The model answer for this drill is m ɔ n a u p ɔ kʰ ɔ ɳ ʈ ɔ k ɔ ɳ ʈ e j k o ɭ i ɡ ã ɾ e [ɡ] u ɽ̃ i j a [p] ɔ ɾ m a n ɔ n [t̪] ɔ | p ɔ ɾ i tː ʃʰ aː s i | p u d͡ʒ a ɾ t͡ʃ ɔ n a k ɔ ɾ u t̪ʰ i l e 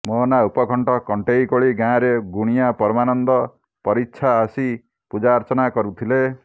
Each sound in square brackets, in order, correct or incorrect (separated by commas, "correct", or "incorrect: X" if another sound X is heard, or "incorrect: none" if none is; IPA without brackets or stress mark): correct, correct, incorrect: d̪